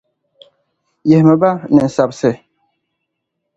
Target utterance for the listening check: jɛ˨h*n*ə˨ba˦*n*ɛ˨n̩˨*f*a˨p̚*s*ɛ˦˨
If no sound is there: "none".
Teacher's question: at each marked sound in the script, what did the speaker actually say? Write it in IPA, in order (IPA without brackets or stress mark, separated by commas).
m, n, s, s